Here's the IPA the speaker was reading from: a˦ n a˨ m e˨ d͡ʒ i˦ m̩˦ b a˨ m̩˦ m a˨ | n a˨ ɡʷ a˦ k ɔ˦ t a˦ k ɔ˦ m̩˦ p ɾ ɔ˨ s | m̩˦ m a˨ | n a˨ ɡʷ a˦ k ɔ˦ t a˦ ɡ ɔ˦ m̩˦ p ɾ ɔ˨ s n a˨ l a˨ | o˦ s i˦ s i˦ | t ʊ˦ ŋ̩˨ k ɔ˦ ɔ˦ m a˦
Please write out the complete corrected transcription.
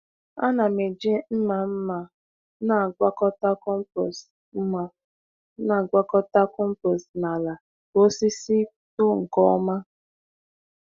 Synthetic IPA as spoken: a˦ n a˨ m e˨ d͡ʒ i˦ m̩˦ m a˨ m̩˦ m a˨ | n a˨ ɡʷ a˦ k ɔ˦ t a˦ k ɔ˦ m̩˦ p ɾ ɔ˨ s | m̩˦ m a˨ | n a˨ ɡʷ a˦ k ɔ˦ t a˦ k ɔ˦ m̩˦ p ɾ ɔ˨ s n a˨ l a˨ | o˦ s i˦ s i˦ | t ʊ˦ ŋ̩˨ k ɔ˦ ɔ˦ m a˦